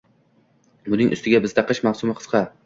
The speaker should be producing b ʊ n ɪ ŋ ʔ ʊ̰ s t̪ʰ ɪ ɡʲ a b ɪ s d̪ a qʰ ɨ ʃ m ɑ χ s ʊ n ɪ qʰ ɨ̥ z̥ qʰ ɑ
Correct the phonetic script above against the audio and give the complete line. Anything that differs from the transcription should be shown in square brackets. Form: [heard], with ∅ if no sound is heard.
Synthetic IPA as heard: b ʊ n ɪ ŋ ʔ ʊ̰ s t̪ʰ ɪ ɡʲ a b ɪ [z] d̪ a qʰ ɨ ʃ m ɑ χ s ʊ [m] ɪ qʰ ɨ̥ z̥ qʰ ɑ